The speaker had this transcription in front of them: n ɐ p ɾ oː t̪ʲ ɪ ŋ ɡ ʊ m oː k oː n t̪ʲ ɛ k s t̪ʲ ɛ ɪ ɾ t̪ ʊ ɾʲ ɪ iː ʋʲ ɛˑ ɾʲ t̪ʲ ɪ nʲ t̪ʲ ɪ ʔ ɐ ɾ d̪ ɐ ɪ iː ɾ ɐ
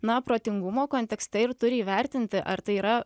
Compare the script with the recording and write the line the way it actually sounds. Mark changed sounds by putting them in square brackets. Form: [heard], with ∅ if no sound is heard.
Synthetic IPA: n ɐ p ɾ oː t̪ʲ ɪ ŋ ɡ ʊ m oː k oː n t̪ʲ ɛ k s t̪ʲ ɛ ɪ ɾ t̪ ʊ ɾʲ ɪ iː ʋʲ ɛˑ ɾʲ t̪ʲ ɪ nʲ t̪ʲ ɪ ʔ ɐ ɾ [t̪] ɐ ɪ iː ɾ ɐ